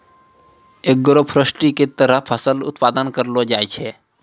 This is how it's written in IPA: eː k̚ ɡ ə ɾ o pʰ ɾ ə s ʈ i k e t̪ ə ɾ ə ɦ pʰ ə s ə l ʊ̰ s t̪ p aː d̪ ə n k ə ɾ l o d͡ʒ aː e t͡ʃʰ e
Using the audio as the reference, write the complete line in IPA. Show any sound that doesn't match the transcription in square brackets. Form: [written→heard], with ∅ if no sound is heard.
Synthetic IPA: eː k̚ ɡ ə ɾ o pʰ ɾ ə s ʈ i k e t̪ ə ɾ ə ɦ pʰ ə s ə l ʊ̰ [s→∅] t̪ p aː d̪ ə n k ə ɾ l o d͡ʒ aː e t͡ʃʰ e